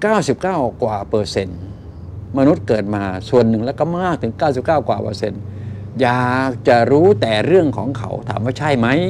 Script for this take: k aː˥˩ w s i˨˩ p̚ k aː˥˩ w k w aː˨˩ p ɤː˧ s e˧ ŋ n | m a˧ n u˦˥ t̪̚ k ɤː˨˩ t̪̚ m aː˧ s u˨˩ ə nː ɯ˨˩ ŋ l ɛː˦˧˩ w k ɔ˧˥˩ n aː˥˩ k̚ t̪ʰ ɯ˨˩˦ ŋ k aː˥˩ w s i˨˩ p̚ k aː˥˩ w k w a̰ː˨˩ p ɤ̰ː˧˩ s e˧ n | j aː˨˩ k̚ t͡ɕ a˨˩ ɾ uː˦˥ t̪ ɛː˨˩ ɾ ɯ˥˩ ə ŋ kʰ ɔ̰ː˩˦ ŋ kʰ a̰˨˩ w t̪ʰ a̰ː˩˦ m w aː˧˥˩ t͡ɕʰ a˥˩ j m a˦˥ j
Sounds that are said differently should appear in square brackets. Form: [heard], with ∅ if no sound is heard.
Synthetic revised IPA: k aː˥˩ w s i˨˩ p̚ k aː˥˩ w k w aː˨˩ p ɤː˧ s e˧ [∅] n | m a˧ n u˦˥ t̪̚ k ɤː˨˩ t̪̚ m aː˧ s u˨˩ ə nː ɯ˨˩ ŋ l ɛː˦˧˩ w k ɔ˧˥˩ [m] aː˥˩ k̚ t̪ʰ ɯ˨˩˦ ŋ k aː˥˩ w s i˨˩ p̚ k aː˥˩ w k w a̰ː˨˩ p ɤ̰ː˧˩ s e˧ n | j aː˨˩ k̚ t͡ɕ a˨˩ ɾ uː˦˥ t̪ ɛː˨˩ ɾ ɯ˥˩ ə ŋ kʰ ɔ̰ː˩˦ ŋ kʰ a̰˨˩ w t̪ʰ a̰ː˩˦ m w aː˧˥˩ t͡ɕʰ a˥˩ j m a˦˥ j

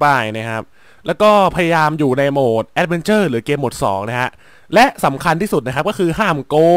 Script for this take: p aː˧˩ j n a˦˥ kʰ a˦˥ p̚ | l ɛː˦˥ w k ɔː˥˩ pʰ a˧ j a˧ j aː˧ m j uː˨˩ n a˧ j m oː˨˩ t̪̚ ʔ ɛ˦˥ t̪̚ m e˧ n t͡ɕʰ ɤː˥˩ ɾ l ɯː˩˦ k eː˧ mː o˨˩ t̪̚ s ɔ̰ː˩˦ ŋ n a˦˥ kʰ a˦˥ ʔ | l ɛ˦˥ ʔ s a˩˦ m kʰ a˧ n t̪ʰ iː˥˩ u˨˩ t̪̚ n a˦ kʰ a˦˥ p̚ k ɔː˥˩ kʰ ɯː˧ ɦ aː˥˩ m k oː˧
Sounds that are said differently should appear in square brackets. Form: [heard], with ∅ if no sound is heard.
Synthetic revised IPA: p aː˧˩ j n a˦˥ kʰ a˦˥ p̚ | l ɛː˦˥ w k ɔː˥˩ pʰ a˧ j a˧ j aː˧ m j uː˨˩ n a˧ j m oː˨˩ t̪̚ ʔ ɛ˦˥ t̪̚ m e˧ n [t͡ɕ] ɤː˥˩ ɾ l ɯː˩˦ k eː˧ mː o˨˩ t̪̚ s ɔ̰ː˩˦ ŋ n a˦˥ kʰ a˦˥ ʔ | l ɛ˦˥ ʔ s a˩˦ m kʰ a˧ n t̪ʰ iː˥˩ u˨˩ t̪̚ n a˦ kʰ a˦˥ p̚ k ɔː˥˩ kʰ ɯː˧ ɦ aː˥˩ m k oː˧

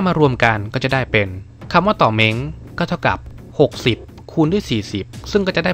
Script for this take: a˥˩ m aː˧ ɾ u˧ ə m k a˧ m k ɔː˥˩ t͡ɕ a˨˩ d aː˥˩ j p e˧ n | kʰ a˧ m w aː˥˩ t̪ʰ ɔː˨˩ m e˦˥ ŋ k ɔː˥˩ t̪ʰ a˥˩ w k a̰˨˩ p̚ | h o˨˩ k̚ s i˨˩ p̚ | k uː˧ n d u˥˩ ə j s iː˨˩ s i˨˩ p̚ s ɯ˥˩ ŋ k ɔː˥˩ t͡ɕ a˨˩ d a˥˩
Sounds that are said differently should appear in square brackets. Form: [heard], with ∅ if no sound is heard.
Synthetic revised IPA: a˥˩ m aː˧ ɾ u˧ ə m k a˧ [n] k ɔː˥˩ t͡ɕ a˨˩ d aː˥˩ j p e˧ n | kʰ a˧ m w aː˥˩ [t̪] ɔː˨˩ m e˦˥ ŋ k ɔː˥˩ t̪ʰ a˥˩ w k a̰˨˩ p̚ | h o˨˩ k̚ s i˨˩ p̚ | [kʰ] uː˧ n d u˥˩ ə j s iː˨˩ s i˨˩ p̚ s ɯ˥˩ ŋ k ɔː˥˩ t͡ɕ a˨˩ d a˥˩

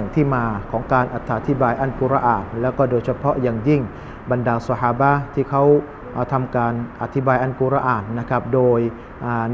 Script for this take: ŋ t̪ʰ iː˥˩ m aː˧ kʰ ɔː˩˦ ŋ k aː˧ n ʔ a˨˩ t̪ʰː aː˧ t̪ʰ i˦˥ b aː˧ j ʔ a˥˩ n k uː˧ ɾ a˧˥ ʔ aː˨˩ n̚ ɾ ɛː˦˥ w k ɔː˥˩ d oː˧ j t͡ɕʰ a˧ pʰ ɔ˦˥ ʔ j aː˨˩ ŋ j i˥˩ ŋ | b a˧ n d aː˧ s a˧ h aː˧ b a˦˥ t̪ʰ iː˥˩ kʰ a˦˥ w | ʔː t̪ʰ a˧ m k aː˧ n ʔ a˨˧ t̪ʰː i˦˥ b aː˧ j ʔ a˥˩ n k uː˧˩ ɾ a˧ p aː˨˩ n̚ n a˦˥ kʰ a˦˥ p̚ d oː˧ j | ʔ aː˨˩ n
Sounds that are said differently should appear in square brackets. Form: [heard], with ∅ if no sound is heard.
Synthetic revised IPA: ŋ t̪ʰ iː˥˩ m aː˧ kʰ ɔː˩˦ ŋ k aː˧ n ʔ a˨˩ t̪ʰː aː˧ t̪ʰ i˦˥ b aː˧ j ʔ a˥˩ n k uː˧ ɾ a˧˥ ʔ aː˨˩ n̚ [l] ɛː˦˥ w k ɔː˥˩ d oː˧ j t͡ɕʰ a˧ pʰ ɔ˦˥ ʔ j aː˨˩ ŋ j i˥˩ ŋ | b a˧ n d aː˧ s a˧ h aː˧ b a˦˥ t̪ʰ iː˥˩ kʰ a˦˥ w | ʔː t̪ʰ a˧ m k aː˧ n ʔ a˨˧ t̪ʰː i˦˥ b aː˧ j ʔ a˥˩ n k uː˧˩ ɾ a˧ [ʔ] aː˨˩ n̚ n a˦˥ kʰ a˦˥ p̚ d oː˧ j | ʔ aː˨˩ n

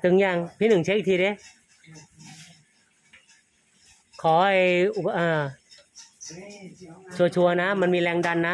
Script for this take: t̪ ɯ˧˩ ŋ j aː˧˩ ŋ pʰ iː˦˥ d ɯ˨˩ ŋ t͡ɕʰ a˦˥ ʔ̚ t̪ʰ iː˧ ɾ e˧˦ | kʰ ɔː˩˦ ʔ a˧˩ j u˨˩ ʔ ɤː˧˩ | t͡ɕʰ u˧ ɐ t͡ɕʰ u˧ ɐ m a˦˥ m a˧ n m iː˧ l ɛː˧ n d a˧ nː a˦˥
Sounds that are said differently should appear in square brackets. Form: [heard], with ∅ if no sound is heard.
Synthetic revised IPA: t̪ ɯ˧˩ ŋ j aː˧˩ ŋ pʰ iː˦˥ [n] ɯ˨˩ ŋ t͡ɕʰ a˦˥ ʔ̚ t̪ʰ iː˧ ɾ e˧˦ | kʰ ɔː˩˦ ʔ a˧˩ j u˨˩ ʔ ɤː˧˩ | t͡ɕʰ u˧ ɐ t͡ɕʰ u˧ ɐ [n] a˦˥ m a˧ n m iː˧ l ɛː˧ [ŋ] d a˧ nː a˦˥

